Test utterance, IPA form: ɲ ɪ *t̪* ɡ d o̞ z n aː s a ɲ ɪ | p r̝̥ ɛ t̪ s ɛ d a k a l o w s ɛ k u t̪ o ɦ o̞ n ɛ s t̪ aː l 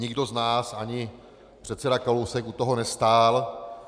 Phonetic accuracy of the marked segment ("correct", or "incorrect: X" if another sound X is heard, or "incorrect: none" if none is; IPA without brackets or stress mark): incorrect: none